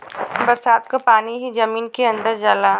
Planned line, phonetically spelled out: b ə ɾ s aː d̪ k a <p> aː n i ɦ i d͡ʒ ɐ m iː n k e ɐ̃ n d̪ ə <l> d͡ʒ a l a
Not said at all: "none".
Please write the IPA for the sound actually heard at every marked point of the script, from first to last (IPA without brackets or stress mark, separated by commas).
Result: p, ɾ